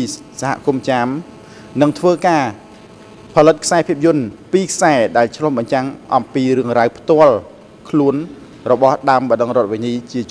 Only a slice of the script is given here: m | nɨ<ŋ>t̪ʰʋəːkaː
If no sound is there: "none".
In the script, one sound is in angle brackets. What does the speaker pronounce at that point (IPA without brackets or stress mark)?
ŋ